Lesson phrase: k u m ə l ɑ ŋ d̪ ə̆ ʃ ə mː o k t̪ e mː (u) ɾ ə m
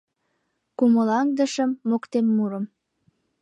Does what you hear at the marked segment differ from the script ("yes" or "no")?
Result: no